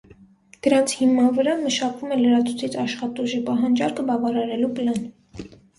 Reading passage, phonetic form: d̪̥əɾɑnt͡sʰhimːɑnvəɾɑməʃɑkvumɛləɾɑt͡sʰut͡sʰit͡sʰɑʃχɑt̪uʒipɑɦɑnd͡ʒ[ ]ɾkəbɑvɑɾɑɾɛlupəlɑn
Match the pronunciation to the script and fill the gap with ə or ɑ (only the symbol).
ɑ